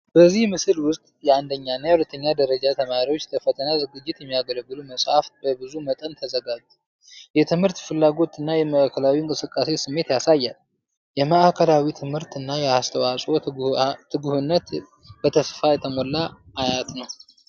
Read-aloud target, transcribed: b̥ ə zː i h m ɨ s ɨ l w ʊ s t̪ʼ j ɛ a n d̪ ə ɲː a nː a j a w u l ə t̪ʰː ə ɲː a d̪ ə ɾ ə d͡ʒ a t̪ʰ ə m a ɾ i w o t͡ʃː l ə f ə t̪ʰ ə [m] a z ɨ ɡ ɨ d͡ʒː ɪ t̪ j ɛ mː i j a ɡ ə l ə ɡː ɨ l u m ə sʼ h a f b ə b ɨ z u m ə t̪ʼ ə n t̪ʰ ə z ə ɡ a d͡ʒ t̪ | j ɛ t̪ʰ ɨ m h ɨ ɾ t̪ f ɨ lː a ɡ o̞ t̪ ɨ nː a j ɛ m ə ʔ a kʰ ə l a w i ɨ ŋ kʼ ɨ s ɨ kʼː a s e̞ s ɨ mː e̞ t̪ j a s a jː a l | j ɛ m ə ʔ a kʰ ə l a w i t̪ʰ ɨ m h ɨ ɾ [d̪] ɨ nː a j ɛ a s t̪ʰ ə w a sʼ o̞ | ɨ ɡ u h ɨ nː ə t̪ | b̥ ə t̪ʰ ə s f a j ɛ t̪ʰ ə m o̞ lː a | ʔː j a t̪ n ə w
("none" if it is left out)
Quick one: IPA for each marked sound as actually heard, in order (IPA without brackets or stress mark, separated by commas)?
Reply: n, t̪